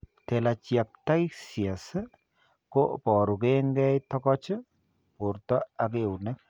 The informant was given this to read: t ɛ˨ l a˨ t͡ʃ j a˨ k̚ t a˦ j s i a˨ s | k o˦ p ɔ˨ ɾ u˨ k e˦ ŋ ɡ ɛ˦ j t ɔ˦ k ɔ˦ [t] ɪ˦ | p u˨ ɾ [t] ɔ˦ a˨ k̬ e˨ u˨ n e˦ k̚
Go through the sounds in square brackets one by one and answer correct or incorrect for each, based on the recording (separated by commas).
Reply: incorrect, correct